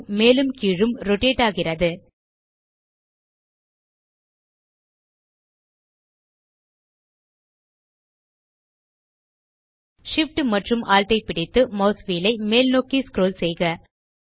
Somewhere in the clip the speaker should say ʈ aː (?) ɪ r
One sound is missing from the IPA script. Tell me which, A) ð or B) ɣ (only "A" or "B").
B